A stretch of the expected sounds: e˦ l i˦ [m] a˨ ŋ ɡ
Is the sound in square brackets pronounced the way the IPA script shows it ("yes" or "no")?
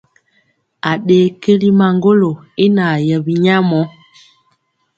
yes